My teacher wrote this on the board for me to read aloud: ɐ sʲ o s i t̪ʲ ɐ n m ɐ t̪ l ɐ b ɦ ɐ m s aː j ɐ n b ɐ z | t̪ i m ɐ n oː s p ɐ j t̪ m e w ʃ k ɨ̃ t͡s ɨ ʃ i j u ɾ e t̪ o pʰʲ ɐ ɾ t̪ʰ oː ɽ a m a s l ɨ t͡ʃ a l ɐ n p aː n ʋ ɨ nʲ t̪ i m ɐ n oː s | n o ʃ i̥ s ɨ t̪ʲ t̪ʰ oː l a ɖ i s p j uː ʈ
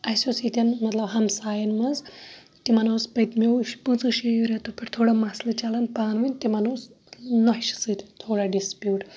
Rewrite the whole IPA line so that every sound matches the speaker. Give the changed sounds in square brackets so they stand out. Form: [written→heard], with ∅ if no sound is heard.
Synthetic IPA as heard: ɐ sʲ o s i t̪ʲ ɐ n m ɐ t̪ l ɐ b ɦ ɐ m s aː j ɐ n [b→m] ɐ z | t̪ i m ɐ n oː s p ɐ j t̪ m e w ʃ [k→p] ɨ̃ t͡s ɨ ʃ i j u ɾ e t̪ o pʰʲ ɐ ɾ t̪ʰ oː ɽ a m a s l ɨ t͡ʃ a l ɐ n p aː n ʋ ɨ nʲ t̪ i m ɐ n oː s | n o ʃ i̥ s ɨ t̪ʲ t̪ʰ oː [l→ɽ] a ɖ i s p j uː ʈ